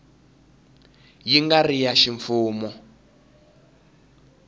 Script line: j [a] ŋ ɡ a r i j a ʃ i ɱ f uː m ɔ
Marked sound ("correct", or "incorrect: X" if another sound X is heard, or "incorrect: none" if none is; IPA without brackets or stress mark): incorrect: i